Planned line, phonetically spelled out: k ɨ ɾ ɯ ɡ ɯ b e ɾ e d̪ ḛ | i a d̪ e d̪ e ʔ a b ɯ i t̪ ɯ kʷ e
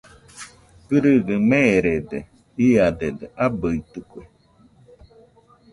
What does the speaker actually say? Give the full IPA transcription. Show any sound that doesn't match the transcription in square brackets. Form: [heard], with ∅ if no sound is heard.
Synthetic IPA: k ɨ ɾ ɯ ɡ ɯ [m] e ɾ e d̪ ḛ | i a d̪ e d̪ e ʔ a b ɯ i t̪ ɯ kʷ e